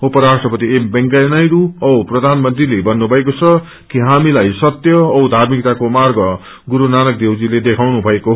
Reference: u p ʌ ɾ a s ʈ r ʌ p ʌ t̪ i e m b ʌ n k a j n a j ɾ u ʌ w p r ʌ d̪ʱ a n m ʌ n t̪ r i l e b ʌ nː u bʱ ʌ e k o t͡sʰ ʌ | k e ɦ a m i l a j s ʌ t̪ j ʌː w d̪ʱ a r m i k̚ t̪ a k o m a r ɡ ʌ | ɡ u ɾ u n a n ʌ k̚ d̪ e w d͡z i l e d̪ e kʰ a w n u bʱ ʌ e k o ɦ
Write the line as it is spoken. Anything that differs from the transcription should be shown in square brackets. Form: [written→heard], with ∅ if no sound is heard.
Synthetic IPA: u p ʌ ɾ a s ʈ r ʌ p ʌ t̪ i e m b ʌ [n→ŋ] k a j n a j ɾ u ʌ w p r ʌ d̪ʱ a n m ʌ n t̪ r i l e b ʌ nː u bʱ ʌ e k o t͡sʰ ʌ | k [e→i] ɦ a m i l a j s ʌ t̪ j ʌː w d̪ʱ a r m i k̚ t̪ a k o m a r ɡ ʌ | ɡ u ɾ u n a n ʌ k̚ d̪ e w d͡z i l e d̪ e kʰ a w n u bʱ ʌ e k o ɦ